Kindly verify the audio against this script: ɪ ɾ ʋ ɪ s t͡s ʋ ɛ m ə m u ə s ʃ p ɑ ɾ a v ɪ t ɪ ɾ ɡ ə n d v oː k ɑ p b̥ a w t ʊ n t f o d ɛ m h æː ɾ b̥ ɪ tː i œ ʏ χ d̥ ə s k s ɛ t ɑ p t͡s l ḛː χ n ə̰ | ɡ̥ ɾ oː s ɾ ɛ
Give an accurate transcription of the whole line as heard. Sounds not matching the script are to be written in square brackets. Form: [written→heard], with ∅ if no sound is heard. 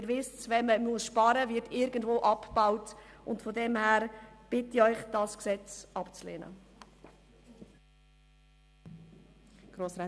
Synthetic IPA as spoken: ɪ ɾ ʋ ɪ s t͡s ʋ ɛ m ə m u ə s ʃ p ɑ ɾ [a→ə] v ɪ t ɪ ɾ ɡ ə n d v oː [k→ʔ] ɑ p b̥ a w t ʊ n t f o d ɛ m h æː ɾ b̥ ɪ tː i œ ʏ χ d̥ [ə→ɑ] s k s ɛ [t→t͡s] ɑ p t͡s l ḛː [χ→∅] n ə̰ | ɡ̥ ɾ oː s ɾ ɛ